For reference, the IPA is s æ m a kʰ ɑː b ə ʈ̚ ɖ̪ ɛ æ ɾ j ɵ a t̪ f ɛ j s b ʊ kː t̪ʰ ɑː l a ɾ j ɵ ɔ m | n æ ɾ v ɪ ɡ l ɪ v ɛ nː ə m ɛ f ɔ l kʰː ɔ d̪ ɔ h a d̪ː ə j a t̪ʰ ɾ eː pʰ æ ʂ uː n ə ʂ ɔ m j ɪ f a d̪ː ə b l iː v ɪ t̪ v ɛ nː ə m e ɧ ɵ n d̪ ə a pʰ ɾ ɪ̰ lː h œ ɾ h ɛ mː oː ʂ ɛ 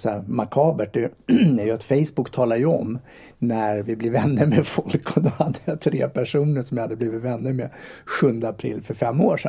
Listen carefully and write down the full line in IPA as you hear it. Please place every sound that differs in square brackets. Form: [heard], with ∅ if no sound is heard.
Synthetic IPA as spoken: s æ m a kʰ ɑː b ə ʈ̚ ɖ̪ ɛ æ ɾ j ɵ a t̪ f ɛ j s b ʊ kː t̪ʰ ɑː l a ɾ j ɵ ɔ m | n æ ɾ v ɪ [b] l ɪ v ɛ nː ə m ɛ f ɔ l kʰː ɔ d̪ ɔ h a d̪ː ə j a t̪ʰ ɾ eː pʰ æ ʂ uː n ə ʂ ɔ m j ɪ [h] a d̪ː ə b l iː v ɪ t̪ v ɛ nː ə m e ɧ ɵ n d̪ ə a pʰ ɾ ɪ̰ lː [f] œ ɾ [f] ɛ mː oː ʂ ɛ